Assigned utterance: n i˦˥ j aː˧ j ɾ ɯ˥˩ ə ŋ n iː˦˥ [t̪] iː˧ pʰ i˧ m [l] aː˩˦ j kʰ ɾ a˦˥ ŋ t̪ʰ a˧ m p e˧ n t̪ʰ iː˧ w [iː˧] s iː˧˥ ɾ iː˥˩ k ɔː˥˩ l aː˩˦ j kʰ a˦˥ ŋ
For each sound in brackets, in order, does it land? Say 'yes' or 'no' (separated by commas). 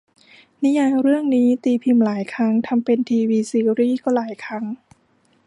yes, yes, yes